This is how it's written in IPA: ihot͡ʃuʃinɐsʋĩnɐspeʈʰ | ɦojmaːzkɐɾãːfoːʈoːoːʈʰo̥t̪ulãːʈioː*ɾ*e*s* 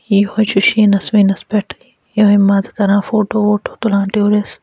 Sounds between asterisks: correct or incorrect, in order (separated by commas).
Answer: correct, correct